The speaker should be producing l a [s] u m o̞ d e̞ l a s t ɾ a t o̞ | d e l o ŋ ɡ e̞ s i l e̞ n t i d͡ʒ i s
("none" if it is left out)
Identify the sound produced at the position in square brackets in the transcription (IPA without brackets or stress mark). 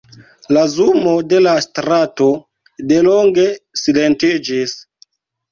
z